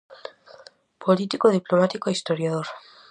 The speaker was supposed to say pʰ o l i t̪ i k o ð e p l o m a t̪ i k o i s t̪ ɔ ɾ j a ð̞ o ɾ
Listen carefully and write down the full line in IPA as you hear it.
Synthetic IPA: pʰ o l i t̪ i k o ð i p l o m a t̪ i k o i s t̪ o ɾ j a ð̞ o ɾ